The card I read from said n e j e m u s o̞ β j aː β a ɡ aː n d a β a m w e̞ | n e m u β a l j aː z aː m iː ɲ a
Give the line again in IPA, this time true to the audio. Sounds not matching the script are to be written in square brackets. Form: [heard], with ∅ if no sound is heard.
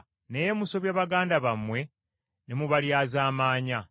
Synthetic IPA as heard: n e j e m u s o̞ β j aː β a ɡ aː n d a β a m w e̞ | n e m u β a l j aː z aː m [aː] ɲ a